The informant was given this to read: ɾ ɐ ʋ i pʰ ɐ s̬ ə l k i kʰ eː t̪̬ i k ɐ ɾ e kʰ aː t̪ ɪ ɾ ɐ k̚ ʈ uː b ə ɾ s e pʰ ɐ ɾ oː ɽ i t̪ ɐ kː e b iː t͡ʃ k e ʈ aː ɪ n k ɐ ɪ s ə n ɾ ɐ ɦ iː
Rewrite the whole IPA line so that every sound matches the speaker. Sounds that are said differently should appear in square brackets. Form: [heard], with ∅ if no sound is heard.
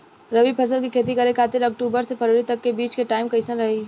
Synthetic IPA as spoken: ɾ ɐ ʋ i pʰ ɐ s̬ ə l k i kʰ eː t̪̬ i k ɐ ɾ e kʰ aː t̪ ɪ ɾ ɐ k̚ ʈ uː b ə ɾ s e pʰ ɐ ɾ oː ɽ i t̪ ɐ kː e b iː t͡ʃ k e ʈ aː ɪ [m] k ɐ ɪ s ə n ɾ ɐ ɦ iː

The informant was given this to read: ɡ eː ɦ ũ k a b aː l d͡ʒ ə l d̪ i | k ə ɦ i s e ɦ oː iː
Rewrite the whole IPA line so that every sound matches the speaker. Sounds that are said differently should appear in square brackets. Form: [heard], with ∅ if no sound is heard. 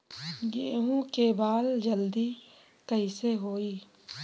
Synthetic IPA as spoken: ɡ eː ɦ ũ k [e] b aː l d͡ʒ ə l d̪ i | k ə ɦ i s e ɦ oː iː

